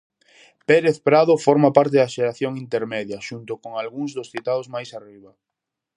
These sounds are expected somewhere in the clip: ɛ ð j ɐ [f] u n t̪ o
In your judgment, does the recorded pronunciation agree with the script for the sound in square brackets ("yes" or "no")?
no